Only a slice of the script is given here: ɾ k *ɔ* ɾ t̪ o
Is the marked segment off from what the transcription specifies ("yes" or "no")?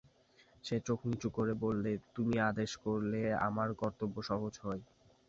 no